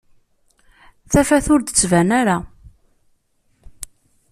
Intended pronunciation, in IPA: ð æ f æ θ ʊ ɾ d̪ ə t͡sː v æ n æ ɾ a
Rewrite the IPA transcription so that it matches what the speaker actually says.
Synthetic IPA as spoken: θ æ f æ θ ʊ ɾ d̪ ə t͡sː v æ n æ ɾ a